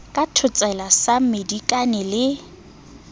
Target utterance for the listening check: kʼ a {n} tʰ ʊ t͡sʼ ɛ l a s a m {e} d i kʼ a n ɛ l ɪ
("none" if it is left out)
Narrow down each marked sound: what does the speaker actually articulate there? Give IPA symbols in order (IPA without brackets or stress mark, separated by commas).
none, e